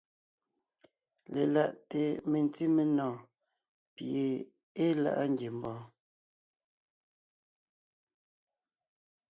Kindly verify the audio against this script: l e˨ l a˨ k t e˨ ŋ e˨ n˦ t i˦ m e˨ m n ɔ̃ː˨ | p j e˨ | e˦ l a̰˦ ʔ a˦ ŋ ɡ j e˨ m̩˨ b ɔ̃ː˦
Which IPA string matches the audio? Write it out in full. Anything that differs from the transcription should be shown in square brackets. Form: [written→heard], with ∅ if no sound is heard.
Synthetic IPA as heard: l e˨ l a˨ [k→ʔ] t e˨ [ŋ→m] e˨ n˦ t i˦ m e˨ [m→∅] n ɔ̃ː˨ | p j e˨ | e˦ l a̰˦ ʔ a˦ ŋ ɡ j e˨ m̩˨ b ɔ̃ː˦